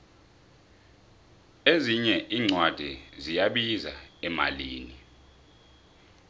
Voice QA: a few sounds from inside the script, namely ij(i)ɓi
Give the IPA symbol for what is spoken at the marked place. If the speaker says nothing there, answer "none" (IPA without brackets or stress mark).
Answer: a